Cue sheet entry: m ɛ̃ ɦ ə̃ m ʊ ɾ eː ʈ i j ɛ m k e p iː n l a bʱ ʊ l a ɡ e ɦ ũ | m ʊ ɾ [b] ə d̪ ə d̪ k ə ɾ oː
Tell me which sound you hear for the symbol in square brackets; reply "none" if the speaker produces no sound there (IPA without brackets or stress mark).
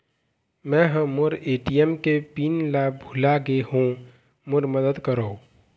m